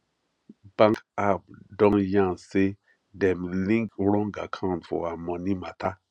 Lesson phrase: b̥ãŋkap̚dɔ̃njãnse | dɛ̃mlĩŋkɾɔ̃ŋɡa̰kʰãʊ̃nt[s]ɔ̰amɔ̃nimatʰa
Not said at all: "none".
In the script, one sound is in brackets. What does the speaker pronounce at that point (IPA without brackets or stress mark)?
f